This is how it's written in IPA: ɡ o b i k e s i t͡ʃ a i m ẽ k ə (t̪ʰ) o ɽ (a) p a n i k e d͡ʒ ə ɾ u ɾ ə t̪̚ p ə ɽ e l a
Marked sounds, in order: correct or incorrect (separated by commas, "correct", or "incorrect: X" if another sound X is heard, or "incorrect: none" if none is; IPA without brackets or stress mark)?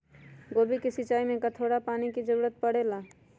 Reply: correct, correct